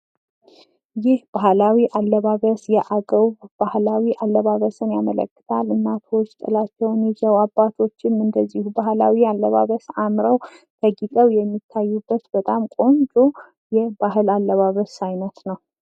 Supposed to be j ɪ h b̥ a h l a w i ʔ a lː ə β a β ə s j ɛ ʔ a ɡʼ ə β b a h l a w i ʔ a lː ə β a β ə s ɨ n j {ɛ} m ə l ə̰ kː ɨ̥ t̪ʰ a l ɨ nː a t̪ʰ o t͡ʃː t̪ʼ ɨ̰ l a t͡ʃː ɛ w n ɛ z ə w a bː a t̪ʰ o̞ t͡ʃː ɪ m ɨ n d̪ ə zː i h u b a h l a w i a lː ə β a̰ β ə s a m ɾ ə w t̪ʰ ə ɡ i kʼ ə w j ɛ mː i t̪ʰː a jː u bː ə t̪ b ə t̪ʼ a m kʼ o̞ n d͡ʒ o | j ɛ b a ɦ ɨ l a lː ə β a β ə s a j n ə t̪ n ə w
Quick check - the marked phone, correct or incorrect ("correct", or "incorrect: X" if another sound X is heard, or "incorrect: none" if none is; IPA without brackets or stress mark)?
incorrect: a